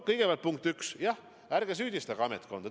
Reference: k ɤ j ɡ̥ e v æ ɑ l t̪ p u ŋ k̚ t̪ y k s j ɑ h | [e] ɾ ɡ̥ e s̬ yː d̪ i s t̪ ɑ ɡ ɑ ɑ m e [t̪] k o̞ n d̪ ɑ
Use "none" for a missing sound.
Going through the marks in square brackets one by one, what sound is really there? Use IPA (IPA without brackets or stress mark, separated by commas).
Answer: æ, t̪